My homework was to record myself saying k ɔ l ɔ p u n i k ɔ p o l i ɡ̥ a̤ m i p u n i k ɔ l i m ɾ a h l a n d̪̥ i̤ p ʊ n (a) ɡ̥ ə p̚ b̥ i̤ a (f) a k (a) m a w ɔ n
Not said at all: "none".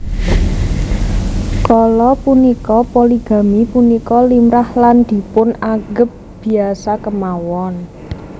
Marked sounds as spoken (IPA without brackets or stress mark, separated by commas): a, s, ə